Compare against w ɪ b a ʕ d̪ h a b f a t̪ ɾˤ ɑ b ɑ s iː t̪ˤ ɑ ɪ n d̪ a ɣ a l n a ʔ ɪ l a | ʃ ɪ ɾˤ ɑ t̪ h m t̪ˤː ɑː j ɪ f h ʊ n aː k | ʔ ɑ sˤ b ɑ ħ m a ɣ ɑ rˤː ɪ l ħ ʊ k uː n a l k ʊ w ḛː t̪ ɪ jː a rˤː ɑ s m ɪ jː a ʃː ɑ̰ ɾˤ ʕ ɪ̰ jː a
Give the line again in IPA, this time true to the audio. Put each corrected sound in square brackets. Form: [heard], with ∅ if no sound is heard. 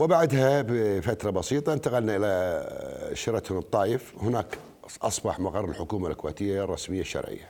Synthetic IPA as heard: w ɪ b a ʕ d̪ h a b f a t̪ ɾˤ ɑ b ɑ s iː t̪ˤ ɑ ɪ n [t̪] a ɣ a l n a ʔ ɪ l a | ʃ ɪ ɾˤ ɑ t̪ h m t̪ˤː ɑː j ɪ f h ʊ n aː k | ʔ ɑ sˤ b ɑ ħ m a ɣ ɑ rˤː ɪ l ħ ʊ k uː [m] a l k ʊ w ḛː t̪ ɪ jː a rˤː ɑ s m ɪ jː a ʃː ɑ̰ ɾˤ ʕ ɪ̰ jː a